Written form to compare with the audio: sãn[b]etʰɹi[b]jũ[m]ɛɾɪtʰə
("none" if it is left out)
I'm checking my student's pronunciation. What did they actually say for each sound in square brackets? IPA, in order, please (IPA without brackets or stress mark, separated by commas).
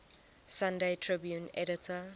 d, b, n